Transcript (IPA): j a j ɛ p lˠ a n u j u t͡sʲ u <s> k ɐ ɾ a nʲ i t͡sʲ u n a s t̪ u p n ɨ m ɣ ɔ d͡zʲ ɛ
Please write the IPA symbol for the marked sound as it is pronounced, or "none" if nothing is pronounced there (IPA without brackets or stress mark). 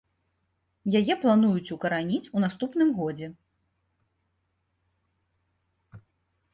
none